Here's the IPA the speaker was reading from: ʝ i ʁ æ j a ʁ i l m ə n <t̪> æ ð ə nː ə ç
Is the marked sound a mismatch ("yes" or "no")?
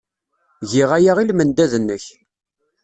yes